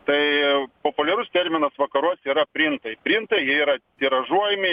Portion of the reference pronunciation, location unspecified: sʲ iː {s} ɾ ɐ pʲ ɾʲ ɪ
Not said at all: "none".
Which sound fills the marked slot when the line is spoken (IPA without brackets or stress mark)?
none